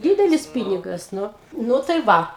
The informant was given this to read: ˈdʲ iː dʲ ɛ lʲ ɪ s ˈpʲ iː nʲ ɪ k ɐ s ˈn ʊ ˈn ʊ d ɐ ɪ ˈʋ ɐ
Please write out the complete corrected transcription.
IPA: ˈdʲ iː dʲ ɛ lʲ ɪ s ˈpʲ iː nʲ ɪ ɡ ɐ s ˈn ʊ ˈn ʊ t ɐ ɪ ˈʋ ɐ